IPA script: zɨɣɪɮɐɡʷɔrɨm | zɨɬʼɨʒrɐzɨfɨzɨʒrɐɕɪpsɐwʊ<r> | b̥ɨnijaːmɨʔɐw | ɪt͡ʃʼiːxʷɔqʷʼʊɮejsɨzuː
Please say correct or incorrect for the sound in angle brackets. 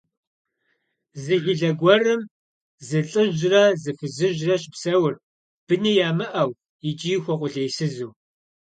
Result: correct